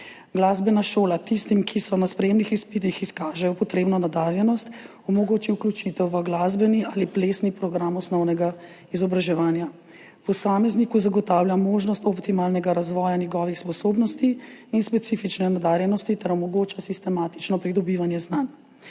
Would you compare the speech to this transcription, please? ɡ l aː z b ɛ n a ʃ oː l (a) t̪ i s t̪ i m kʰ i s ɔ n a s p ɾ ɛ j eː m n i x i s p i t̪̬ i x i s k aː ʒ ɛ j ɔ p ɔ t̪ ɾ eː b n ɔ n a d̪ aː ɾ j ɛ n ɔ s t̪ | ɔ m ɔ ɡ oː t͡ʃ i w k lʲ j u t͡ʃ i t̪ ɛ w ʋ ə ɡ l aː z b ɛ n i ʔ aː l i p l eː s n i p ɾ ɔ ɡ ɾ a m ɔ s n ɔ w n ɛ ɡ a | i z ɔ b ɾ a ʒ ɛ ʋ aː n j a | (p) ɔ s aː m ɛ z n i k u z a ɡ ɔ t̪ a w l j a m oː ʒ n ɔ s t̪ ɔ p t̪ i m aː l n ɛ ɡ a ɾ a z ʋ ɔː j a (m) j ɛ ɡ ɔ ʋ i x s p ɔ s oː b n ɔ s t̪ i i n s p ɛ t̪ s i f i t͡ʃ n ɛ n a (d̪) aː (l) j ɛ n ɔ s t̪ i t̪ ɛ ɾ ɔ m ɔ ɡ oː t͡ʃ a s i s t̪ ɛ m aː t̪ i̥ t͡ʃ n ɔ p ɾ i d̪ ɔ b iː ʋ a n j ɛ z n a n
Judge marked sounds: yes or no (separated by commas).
yes, yes, no, yes, no